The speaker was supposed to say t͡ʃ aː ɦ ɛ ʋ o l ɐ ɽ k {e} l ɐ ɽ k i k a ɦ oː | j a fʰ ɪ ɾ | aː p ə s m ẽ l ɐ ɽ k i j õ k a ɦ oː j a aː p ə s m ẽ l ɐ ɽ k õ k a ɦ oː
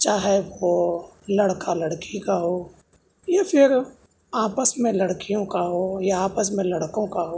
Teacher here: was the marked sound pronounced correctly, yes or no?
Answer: no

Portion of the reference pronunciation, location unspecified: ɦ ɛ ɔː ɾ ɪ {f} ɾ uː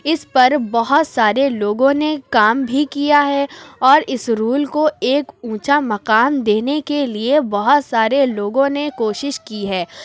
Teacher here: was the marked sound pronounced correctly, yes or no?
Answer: no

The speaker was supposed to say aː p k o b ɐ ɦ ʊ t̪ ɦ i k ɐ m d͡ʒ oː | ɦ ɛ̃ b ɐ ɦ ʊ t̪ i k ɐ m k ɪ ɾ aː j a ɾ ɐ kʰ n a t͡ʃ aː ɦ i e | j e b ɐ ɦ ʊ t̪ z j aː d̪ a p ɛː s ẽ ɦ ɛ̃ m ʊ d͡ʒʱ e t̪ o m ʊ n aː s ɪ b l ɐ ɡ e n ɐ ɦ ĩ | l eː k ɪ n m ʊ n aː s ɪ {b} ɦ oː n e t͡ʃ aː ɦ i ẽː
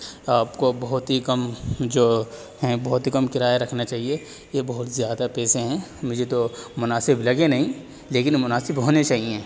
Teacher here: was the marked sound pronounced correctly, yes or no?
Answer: yes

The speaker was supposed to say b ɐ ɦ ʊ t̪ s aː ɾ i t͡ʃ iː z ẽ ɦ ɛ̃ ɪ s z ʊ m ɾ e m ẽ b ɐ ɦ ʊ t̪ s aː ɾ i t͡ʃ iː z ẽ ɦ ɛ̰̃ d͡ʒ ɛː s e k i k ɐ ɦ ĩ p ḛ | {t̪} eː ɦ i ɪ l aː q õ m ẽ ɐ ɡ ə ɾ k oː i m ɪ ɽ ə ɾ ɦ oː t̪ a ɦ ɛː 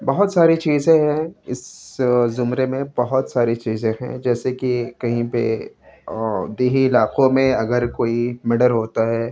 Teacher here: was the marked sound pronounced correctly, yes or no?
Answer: no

